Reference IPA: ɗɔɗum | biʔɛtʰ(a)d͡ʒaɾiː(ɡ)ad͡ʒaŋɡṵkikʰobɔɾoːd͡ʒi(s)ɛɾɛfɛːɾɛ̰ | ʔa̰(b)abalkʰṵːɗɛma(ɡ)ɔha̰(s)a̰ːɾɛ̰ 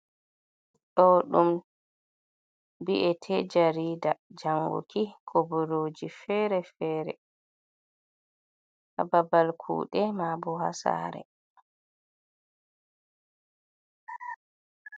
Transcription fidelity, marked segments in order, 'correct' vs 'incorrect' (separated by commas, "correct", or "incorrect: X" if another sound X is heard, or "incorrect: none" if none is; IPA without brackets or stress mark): incorrect: ɛ, incorrect: d, incorrect: f, correct, incorrect: b, correct